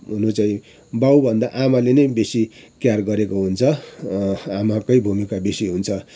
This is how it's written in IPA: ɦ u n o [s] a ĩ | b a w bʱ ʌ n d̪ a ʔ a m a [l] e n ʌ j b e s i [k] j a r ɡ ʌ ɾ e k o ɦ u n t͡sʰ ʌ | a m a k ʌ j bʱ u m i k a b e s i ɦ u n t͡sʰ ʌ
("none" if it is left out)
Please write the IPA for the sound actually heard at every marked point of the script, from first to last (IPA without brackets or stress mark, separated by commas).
t͡s, l, k